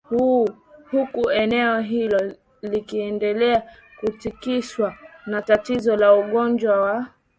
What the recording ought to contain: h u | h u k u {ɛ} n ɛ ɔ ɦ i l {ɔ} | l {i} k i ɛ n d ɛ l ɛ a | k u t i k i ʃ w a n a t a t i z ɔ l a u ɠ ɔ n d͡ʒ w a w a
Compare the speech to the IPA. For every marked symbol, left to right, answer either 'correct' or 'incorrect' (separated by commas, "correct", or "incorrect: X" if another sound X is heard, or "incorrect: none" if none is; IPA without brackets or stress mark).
correct, correct, correct